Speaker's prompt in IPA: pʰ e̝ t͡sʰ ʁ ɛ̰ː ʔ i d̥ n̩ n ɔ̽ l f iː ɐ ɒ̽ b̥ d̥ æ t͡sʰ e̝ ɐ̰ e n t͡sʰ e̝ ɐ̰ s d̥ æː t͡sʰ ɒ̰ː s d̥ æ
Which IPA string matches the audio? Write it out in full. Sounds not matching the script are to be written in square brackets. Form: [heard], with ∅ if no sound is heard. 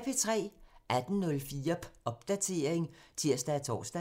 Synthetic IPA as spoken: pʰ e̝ t͡sʰ ʁ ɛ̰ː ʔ [æ] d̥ n̩ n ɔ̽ l f iː ɐ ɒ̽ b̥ d̥ æ t͡sʰ e̝ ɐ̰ e [ŋ] t͡sʰ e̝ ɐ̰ s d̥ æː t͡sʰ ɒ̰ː s d̥ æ